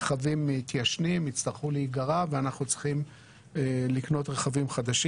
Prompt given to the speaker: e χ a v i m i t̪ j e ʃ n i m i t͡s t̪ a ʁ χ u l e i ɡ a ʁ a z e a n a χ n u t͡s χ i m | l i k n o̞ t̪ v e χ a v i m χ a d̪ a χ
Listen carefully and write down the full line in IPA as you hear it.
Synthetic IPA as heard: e χ a v i m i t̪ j a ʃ n i m i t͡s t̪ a ʁ χ u l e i ɡ a ʁ a v e a n a χ n u t͡s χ i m | l i k n o̞ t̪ ʁ e χ a v i m χ a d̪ a ʃ